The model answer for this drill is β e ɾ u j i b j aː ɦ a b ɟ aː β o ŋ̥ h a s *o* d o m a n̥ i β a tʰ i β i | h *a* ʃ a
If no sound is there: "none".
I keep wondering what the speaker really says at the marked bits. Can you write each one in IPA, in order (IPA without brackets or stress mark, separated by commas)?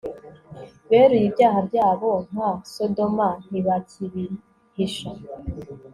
o, i